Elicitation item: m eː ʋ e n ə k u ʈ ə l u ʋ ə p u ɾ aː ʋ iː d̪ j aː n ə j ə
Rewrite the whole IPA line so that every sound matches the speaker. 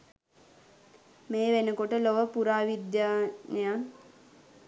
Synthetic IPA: m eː ʋ e n ə k o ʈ ə l o ʋ ə p u ɾ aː ʋ i d̪ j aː n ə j a